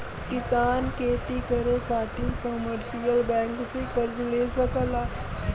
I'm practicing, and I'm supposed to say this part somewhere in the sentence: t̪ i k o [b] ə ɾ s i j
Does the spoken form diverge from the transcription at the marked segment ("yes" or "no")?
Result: yes